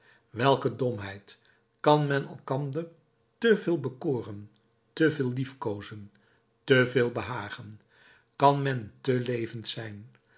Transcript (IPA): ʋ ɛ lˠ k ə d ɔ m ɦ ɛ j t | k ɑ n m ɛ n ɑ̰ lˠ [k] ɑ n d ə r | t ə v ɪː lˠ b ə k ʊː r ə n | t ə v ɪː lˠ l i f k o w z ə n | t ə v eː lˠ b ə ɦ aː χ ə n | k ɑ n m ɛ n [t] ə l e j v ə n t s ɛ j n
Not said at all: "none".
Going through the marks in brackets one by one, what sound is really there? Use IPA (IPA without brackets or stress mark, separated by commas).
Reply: k, t